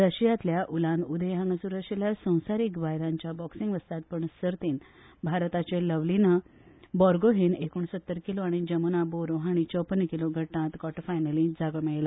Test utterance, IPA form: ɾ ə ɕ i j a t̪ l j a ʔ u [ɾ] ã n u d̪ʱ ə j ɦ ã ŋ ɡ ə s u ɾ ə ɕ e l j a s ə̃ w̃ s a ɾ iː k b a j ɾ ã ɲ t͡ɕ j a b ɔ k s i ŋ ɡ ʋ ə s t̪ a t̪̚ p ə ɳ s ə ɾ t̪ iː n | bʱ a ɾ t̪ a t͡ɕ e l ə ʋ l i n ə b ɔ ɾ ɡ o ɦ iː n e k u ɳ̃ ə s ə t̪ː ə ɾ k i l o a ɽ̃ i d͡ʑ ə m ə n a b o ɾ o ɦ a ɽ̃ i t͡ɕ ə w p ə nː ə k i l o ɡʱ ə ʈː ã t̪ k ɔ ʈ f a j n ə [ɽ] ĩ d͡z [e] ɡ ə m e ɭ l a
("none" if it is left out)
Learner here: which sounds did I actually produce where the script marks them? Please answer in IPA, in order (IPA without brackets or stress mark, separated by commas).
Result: l, l, a